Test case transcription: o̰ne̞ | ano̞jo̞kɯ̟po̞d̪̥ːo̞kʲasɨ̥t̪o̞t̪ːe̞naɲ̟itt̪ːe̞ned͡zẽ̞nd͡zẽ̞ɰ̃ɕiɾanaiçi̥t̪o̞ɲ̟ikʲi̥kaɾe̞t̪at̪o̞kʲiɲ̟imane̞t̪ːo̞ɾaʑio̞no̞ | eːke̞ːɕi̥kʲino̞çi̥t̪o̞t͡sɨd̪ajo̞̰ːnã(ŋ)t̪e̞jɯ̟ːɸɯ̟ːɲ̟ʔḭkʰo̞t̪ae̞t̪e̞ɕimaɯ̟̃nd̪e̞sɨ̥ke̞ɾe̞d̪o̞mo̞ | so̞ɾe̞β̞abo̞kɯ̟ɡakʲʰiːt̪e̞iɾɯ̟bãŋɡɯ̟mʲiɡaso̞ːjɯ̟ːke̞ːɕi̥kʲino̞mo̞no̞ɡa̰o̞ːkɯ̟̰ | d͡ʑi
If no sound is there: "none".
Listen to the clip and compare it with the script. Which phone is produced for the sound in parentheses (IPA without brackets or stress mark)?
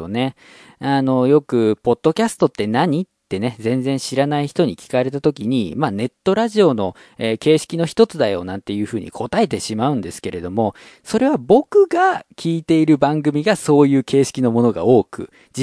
n